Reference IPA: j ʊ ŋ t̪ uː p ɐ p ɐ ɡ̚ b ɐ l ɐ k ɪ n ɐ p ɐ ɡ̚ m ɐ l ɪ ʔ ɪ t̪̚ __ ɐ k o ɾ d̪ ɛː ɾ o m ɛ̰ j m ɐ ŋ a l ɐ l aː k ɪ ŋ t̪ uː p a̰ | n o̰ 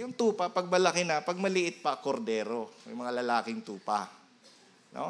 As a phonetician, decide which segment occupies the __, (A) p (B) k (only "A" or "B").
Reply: A